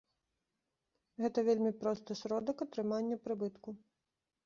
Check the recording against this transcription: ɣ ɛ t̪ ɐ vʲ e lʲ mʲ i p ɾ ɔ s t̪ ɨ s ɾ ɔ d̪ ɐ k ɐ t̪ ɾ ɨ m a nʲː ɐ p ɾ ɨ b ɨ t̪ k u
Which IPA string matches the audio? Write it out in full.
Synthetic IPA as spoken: ɣ ɛ t̪ ɐ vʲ e lʲ mʲ i p ɾ ɔ s t̪ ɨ s ɾ ɔ d̪ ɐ k ɐ t̪ ɾ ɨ m a nʲː ɐ p ɾ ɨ b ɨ t̪ k u